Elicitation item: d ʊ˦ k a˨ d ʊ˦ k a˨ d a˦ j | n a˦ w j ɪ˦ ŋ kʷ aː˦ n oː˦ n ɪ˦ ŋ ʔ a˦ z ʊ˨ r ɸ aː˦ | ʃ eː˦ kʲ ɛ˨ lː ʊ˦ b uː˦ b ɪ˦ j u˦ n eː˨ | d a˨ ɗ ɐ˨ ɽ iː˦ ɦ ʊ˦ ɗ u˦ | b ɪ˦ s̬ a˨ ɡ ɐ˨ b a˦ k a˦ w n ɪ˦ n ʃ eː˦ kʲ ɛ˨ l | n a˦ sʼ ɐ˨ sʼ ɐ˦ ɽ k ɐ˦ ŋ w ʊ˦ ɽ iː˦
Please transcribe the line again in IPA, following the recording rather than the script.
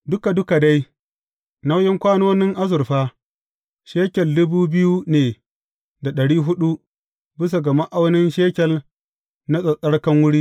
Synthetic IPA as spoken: d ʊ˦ k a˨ d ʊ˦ k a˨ d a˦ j | n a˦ w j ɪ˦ ŋ kʷ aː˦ n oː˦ n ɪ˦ ŋ ʔ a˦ z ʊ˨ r ɸ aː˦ | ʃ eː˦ kʲ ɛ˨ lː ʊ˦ b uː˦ b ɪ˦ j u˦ n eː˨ | d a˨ ɗ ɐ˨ ɽ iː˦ ɦ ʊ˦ ɗ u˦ | b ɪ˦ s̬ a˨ ɡ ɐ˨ m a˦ ʔ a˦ w n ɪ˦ n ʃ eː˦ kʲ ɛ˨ l | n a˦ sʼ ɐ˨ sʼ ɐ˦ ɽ k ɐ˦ ŋ w ʊ˦ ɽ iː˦